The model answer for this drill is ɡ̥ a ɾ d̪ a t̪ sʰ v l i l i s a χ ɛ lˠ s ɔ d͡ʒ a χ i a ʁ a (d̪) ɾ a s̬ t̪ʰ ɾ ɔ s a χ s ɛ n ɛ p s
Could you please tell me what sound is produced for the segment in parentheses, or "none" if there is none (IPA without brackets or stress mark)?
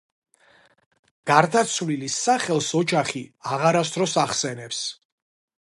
none